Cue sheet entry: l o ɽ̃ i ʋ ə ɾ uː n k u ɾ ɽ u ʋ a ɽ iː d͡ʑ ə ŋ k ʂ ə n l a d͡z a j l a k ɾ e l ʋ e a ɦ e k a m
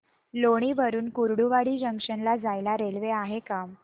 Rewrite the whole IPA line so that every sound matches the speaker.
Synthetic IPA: l o ɽ̃ i ʋ ə ɾ uː n k u ɾ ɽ u ʋ a ɽ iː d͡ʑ ə ŋ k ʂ ə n l a d͡z a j l a ɾ e l ʋ e a ɦ e k a m

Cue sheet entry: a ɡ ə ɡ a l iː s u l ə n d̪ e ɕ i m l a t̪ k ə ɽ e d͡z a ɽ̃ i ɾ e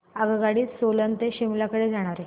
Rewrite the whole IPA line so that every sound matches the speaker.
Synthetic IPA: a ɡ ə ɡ a ɽ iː s o l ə n t̪ e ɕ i m l a k ə ɽ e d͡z a ɽ̃ a ɾ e

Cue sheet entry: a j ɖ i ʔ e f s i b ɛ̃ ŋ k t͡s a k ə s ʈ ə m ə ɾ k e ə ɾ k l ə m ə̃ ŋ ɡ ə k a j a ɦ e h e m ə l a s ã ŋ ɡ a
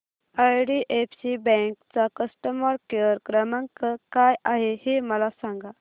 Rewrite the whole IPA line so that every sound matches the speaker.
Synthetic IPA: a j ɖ i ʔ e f s i b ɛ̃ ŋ k t͡s a k ə s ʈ ə m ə ɾ k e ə ɾ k ɾ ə m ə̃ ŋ k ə k a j a ɦ e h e m ə l a s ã ŋ ɡ a

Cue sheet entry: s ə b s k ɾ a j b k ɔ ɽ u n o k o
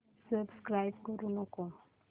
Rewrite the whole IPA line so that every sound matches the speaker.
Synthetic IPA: s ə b s k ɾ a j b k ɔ ɾ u n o k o

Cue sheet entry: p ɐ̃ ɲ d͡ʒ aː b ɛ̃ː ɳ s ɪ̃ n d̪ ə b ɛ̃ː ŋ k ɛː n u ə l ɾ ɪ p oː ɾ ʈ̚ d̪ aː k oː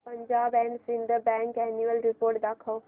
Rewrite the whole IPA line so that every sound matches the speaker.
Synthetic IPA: p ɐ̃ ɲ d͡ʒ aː b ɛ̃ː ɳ s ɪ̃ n d̪ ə b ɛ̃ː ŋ k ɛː n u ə l ɾ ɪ p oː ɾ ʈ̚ d̪ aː kʰ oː

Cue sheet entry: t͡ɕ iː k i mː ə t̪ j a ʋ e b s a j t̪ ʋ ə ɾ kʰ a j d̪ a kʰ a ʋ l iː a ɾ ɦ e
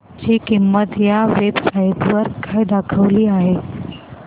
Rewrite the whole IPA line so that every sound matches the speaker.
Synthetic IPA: t͡ɕ iː k i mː ə t̪ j a ʋ e b s a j t̪ ʋ ə ɾ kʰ a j d̪ a kʰ ə ʋ l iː a ɦ e

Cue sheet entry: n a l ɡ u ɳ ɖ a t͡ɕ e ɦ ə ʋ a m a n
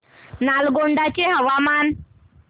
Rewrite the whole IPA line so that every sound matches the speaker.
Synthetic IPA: n a l ɡ o ɳ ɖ a t͡ɕ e ɦ ə ʋ a m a n

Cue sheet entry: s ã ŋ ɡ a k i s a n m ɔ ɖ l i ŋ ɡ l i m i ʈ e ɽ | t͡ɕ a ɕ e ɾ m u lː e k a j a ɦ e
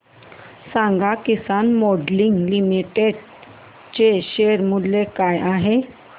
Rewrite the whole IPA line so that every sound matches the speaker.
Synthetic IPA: s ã ŋ ɡ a k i s a n m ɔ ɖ l i ŋ ɡ l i m i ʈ e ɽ | t͡ɕ e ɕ e ɾ m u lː e k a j a ɦ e

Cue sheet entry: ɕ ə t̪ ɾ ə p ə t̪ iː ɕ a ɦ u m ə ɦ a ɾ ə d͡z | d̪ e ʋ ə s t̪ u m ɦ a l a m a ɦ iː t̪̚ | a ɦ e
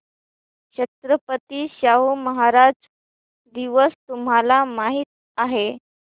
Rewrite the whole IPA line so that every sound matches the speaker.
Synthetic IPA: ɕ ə t̪ ɾ ə p ə t̪ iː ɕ a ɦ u m ə ɦ a ɾ a d͡z | d̪ i ʋ ə s t̪ u m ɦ a l a m a ɦ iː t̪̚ | a ɦ e

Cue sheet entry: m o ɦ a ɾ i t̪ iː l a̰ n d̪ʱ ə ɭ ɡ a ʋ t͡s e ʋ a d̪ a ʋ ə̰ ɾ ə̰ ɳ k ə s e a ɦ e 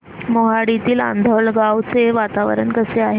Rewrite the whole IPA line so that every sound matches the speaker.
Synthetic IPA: m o ɦ a ɽ i t̪ iː l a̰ n d̪ʱ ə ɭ ɡ a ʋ t͡s e ʋ a t̪ a ʋ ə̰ ɾ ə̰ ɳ k ə s e a ɦ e

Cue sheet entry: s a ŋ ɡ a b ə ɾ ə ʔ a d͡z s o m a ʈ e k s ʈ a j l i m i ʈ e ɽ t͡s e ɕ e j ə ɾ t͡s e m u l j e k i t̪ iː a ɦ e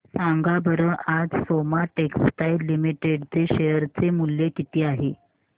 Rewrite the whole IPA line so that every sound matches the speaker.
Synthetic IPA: s a ŋ ɡ a b ə ɾ ə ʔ a d͡z s o m a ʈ e k s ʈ a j l i m i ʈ e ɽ t͡s e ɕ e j ə ɾ t͡s e m u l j e k i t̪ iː a ɦ e

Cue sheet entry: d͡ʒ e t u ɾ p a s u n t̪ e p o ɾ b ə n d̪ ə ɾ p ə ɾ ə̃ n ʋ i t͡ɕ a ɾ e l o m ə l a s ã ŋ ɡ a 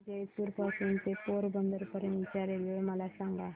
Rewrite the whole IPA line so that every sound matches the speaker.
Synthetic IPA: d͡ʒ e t u ɾ p a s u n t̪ e p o ɾ b ə n d̪ ə ɾ p ə ɾ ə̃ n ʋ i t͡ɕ a ɾ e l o m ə l a s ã ŋ ɡ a

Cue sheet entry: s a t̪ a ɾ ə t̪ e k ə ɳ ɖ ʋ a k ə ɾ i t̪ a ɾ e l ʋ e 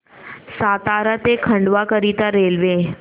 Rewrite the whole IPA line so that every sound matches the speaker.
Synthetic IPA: s a t̪ a ɾ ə t̪ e kʰ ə ɳ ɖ ʋ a k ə ɾ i t̪ a ɾ e l ʋ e

